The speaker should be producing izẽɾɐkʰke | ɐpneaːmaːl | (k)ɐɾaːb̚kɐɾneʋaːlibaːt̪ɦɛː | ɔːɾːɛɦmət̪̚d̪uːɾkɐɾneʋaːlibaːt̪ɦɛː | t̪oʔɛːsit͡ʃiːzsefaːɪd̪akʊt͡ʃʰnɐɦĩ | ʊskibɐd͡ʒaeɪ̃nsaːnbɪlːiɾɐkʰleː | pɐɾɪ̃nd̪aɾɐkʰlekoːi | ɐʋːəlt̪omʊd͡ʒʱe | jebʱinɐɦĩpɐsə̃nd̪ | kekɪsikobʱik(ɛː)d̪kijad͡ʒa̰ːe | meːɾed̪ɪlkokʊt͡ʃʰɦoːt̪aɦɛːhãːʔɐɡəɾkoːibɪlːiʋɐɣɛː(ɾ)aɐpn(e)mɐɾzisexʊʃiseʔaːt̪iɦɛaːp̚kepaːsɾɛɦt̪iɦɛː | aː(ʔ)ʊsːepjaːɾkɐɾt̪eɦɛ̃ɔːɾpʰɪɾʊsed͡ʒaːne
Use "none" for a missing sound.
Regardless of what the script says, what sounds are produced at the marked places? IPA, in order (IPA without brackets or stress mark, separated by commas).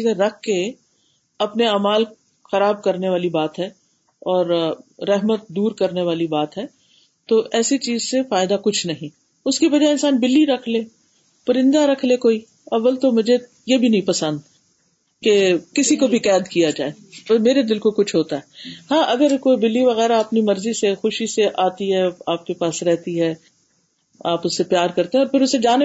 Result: x, ɛː, ɾ, i, p